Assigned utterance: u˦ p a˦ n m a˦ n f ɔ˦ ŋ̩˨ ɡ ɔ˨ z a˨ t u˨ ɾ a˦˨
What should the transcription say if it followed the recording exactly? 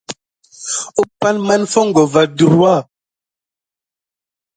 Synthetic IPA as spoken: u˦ p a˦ n m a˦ n f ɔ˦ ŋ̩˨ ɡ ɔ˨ v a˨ d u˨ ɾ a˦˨